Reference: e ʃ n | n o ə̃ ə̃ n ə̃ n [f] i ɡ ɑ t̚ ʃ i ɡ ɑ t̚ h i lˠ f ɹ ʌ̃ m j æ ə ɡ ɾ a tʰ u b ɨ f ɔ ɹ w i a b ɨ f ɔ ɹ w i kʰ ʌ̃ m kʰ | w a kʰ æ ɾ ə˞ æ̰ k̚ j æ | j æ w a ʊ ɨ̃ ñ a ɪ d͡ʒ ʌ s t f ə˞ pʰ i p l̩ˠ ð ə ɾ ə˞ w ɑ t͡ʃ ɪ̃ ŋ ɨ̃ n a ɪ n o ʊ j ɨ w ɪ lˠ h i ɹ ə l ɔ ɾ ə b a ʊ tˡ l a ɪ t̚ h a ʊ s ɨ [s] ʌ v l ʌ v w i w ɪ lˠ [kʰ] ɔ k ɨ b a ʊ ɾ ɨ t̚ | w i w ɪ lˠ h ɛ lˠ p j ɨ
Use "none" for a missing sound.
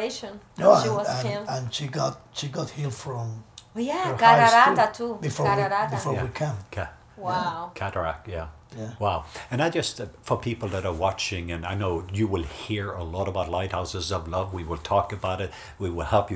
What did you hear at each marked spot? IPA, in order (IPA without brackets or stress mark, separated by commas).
ʃ, z, tʰ